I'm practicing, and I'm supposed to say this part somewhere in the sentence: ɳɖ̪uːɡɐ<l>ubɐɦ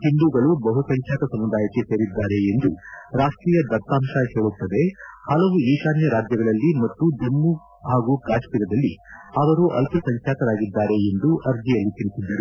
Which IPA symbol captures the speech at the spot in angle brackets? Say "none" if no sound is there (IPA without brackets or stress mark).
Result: ɭ